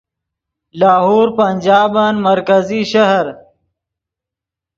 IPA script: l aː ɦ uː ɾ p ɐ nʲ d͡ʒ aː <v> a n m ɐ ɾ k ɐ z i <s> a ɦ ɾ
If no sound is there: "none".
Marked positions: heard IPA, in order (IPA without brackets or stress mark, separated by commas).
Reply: b, ʃ